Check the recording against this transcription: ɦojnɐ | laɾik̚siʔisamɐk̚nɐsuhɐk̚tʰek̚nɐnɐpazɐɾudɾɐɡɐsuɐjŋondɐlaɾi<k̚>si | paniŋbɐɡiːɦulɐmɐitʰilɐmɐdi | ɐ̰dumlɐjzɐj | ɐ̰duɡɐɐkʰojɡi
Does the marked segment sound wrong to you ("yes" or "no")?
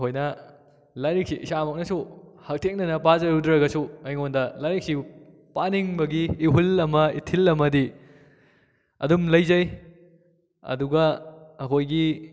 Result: no